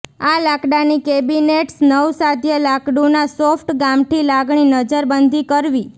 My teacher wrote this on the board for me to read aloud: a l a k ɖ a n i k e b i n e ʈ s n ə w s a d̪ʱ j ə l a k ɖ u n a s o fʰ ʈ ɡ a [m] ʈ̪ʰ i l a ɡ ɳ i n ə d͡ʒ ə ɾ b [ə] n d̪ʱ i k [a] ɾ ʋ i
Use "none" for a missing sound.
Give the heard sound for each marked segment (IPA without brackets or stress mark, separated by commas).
m, ə, ə